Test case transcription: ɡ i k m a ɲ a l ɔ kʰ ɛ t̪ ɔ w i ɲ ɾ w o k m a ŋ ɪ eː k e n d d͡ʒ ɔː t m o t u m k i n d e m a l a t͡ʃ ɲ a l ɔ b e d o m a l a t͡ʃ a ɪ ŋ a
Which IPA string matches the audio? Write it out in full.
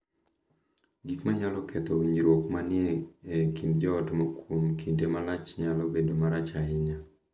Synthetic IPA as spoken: ɡ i k m a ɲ a l ɔ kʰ ɛ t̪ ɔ w i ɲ ɾ w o k m a n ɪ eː k i n d d͡ʒ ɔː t m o k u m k i n d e m a l a t͡ʃ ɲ a l ɔ b e d o m a ɾ a t͡ʃ a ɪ ɲ a